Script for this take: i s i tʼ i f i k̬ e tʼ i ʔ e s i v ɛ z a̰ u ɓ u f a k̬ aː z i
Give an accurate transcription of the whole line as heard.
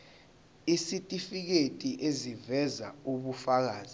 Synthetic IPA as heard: i s i tʼ i f i k̬ e tʼ i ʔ e z i v ɛ z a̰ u ɓ u f a k̬ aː z i